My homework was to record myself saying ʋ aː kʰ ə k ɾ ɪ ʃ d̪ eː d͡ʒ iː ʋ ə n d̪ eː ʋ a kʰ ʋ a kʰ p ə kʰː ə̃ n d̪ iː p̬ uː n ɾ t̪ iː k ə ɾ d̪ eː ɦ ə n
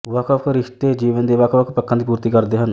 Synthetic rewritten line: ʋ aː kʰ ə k ɾ ɪ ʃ t̪ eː d͡ʒ iː ʋ ə n d̪ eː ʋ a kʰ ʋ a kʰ p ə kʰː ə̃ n d̪ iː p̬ uː ɾ t̪ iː k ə ɾ d̪ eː ɦ ə n